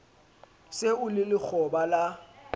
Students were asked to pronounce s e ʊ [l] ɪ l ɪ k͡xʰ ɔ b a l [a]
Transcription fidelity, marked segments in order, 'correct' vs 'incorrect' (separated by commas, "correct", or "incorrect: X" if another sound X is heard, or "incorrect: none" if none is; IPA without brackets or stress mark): correct, correct